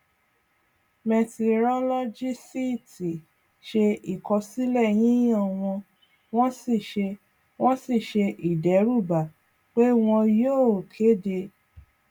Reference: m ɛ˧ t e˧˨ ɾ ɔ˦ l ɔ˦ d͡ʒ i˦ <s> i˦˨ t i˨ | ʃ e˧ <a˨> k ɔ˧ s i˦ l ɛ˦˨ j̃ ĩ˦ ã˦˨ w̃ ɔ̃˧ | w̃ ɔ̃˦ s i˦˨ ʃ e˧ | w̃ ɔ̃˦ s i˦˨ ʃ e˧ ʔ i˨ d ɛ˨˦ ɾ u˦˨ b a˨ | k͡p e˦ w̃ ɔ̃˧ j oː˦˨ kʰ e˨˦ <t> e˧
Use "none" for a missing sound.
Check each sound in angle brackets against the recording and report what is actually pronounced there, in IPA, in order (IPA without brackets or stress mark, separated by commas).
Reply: s, i˨, d